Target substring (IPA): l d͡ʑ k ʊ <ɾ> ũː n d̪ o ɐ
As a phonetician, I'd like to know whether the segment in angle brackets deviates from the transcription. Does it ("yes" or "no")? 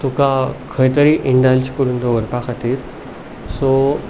no